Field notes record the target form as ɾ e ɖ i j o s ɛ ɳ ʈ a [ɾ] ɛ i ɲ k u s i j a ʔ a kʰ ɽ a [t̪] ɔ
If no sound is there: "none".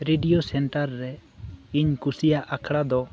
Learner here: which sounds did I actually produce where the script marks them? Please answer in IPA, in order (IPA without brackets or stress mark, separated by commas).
ɾː, d̪